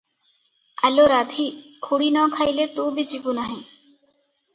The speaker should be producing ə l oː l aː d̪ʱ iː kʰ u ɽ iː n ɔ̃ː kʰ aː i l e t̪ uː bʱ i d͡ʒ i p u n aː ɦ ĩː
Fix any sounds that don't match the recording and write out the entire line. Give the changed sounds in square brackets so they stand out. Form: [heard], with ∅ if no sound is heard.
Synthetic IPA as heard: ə l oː [ɾ] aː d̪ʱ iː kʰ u ɽ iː n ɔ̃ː kʰ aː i l e t̪ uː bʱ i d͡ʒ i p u n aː ɦ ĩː

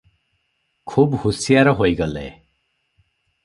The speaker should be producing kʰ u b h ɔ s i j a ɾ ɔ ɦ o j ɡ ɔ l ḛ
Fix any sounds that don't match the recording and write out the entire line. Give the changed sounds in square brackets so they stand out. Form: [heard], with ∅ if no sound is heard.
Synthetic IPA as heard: kʰ u b h [u] s i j a ɾ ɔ ɦ o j ɡ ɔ l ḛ

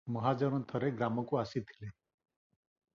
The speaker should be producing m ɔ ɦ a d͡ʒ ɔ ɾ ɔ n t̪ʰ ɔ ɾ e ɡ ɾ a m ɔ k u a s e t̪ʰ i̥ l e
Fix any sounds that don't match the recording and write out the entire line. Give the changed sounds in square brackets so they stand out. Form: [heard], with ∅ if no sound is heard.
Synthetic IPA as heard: m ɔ ɦ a d͡ʒ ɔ ɾ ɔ n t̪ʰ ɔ ɾ e ɡ ɾ a m ɔ k u a s [i] t̪ʰ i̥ l e

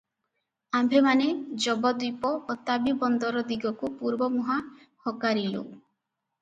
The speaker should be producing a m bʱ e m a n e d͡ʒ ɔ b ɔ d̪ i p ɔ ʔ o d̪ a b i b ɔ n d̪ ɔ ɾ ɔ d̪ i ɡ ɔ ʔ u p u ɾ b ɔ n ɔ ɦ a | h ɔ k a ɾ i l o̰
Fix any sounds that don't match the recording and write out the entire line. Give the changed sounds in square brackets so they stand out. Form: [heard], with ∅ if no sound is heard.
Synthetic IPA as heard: a m bʱ e m a n e d͡ʒ ɔ b ɔ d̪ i p ɔ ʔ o [t̪] a b i b ɔ n d̪ ɔ ɾ ɔ d̪ i ɡ ɔ [k] u p u ɾ b ɔ [m] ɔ ɦ a | h ɔ k a ɾ i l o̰

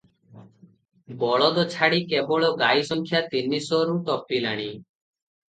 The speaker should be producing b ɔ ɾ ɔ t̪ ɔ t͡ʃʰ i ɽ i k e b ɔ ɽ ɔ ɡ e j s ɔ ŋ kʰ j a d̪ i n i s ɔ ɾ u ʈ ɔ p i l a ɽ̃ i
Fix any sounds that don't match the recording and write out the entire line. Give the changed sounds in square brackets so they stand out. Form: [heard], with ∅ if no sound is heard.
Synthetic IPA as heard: b ɔ [ɭ] ɔ [d̪] ɔ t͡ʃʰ [a] ɽ i k e b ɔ [ɭ] ɔ ɡ [a] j s ɔ ŋ kʰ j a [t̪] i n i s ɔ ɾ u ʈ ɔ p i l a ɽ̃ i

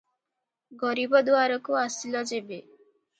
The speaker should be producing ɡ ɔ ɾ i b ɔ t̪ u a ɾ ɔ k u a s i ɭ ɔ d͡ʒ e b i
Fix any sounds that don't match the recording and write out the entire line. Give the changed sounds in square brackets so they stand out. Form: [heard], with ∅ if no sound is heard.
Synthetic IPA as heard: ɡ ɔ ɾ i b ɔ [d̪] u a ɾ ɔ k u a s i [l] ɔ d͡ʒ e b [e]

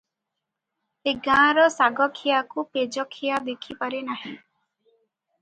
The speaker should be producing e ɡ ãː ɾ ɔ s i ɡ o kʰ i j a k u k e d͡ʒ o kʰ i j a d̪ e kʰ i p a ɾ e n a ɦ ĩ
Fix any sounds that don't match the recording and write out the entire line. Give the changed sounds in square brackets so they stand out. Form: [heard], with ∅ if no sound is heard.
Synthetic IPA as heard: e ɡ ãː ɾ ɔ s [a] ɡ [ɔ] kʰ i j a k u [p] e d͡ʒ [ɔ] kʰ i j a d̪ e kʰ i p a ɾ e n a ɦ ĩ

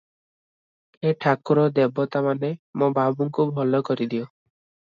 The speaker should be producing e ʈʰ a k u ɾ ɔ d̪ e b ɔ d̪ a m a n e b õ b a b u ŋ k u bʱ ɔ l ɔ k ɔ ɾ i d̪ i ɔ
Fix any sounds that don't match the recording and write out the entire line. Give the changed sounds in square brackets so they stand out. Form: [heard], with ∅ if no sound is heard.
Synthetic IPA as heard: e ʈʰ a k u ɾ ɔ d̪ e b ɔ [t̪] a m a n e [m] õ b a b u ŋ k u bʱ ɔ l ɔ k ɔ ɾ i d̪ i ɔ

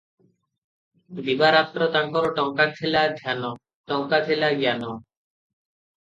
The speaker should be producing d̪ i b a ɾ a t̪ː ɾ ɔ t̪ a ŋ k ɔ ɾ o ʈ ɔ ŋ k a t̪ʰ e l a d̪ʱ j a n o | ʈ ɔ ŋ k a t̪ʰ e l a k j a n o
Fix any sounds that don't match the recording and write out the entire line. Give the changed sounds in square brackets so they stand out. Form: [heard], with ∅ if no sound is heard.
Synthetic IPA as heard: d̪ i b a ɾ a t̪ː ɾ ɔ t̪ a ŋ k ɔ ɾ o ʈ ɔ ŋ k a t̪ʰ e l a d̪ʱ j a n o | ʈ ɔ ŋ k a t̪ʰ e l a [ɡ] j a n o

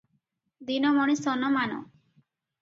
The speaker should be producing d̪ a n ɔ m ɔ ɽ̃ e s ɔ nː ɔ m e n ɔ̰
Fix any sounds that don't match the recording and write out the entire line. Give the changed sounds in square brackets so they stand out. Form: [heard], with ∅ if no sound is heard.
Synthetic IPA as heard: d̪ [i] n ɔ m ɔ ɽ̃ [i] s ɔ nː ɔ m [a] n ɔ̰

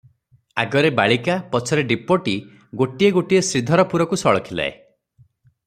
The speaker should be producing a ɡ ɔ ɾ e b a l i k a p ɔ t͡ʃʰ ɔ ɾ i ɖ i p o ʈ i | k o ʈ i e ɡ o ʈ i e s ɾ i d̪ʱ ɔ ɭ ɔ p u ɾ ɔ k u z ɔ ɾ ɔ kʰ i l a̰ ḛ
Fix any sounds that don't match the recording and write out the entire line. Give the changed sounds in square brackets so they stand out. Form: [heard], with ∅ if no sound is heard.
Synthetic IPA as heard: a ɡ ɔ ɾ e b a [ɭ] i k a p ɔ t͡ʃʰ ɔ ɾ [e] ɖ i p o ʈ i | [ɡ] o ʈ i e ɡ o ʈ i e s ɾ i d̪ʱ ɔ [ɾ] ɔ p u ɾ ɔ k u [s] ɔ [ɭ] ɔ kʰ i l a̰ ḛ

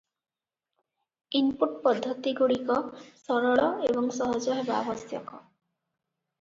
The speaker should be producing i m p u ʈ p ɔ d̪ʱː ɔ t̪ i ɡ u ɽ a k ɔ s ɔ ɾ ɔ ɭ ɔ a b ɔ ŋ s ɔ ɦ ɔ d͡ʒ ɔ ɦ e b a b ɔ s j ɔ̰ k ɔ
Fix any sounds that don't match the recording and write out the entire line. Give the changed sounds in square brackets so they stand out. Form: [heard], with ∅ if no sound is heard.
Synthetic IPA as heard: i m p u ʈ p ɔ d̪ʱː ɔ t̪ i ɡ u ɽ [i] k ɔ s ɔ ɾ ɔ ɭ ɔ [e] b ɔ ŋ s ɔ ɦ ɔ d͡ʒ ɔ ɦ e b a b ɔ s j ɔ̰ k ɔ

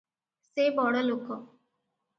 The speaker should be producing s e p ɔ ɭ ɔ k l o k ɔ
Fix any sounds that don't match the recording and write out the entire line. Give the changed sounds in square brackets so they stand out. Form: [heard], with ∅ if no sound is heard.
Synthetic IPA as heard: s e [b] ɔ [ɽ] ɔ [∅] l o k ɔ

